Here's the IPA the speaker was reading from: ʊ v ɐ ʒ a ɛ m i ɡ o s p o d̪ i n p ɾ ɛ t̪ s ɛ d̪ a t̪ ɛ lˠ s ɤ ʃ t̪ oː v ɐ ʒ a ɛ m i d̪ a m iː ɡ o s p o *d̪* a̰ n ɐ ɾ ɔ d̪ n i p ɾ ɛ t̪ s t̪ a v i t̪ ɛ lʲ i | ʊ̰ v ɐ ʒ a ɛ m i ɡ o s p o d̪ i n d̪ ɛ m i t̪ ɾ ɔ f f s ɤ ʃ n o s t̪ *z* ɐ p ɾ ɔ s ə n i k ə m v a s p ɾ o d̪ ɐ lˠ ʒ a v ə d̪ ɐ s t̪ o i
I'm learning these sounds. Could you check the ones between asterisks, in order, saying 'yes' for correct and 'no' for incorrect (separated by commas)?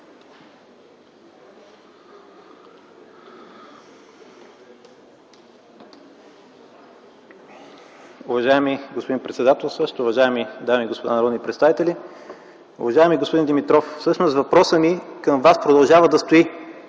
yes, no